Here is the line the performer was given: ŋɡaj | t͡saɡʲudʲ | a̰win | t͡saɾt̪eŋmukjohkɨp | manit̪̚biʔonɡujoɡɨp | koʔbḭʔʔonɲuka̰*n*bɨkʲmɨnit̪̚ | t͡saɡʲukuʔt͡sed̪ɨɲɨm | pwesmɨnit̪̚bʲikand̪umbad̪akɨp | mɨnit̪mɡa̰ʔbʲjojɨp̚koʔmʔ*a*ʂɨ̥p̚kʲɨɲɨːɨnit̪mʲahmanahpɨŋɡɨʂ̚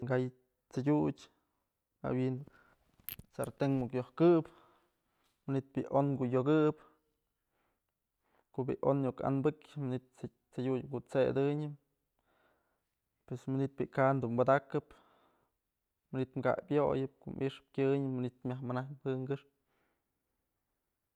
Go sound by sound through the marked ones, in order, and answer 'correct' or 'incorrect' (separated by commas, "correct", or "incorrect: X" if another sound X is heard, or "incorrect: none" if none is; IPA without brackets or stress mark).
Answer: correct, incorrect: i